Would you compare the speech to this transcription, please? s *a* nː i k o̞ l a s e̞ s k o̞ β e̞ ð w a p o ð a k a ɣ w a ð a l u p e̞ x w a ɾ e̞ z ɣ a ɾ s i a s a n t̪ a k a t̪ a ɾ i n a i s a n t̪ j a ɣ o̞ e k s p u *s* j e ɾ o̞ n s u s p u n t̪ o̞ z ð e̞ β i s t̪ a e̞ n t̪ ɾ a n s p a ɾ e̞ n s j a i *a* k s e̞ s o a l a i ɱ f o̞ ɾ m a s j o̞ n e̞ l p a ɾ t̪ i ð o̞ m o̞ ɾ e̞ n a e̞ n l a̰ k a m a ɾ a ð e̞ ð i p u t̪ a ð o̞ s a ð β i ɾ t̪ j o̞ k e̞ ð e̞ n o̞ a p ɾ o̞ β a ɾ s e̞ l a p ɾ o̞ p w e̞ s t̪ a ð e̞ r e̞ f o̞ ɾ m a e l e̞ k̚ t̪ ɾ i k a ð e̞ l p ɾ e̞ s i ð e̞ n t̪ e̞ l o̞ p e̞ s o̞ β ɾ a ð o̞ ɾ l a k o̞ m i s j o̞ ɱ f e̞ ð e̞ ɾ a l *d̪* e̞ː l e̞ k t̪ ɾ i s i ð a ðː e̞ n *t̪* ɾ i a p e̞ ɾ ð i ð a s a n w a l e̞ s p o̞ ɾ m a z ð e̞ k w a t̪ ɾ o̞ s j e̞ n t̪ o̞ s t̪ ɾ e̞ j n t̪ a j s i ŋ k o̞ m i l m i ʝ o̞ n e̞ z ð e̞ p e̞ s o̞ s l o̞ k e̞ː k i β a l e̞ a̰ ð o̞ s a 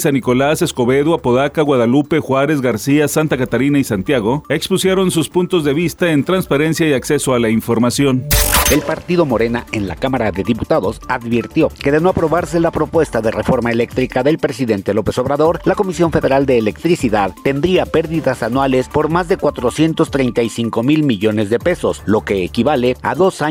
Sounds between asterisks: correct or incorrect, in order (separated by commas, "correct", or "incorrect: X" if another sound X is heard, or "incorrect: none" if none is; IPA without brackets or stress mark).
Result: correct, correct, correct, correct, incorrect: d̪